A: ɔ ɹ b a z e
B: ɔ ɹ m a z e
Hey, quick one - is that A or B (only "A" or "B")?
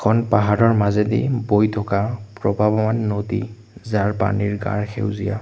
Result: B